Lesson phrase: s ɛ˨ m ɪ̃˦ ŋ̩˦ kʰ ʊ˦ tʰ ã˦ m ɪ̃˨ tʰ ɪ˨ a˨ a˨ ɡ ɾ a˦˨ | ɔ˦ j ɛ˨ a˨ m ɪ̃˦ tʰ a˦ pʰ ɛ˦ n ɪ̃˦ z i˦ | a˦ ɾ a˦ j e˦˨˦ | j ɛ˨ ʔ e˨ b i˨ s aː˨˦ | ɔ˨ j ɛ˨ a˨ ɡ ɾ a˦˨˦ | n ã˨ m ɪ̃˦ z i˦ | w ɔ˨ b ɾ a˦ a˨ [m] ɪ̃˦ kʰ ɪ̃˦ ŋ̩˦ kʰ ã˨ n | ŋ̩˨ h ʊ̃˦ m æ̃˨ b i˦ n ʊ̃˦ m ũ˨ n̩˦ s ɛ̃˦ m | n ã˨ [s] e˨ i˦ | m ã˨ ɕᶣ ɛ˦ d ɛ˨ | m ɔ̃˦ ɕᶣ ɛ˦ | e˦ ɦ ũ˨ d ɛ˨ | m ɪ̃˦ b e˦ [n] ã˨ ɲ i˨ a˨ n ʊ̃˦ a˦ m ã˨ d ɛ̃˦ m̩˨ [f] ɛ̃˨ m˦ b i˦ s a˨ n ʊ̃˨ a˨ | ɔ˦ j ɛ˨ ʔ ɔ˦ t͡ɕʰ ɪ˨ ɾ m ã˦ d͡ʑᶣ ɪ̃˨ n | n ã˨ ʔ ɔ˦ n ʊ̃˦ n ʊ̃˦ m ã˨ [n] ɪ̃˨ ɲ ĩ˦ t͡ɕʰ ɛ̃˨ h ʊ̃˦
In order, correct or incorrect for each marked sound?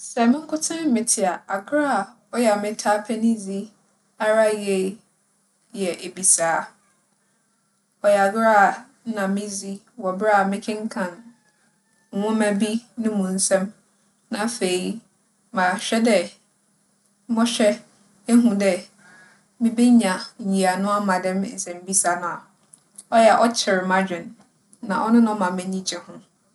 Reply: correct, incorrect: f, incorrect: ɲ, incorrect: s, incorrect: m

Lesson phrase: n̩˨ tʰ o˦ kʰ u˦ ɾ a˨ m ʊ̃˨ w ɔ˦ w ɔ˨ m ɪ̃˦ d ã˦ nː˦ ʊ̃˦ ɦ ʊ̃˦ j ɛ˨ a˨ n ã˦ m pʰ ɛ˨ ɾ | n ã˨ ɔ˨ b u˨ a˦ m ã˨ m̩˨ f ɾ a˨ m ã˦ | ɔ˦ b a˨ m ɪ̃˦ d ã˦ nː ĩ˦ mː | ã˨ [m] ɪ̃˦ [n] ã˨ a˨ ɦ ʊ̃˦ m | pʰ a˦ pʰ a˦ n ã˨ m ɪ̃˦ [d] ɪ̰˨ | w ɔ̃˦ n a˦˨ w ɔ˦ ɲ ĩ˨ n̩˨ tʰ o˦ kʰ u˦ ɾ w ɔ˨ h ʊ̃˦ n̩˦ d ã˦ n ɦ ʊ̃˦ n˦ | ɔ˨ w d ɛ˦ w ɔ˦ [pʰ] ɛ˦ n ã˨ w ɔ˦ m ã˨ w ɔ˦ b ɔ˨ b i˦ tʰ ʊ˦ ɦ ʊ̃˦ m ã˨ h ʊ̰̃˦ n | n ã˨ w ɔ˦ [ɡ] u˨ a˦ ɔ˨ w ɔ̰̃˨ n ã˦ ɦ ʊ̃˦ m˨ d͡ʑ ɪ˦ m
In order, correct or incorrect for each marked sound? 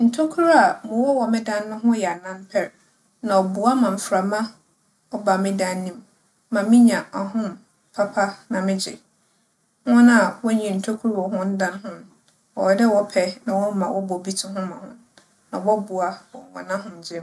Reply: correct, incorrect: ɲ, incorrect: d͡ʑ, correct, incorrect: b

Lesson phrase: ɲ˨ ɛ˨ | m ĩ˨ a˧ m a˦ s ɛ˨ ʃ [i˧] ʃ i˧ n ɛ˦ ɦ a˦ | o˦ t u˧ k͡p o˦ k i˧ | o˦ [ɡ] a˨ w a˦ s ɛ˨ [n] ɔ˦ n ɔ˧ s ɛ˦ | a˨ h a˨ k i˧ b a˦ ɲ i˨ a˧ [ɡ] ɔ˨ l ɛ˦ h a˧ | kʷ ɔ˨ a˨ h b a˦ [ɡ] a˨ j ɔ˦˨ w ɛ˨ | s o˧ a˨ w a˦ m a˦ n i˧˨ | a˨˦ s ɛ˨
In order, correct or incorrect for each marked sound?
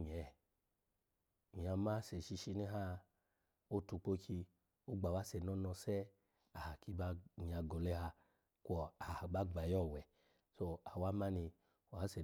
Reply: correct, incorrect: ɡ͡b, correct, correct, incorrect: ɡ͡b

